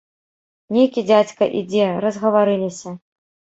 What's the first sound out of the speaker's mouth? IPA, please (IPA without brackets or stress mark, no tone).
nʲ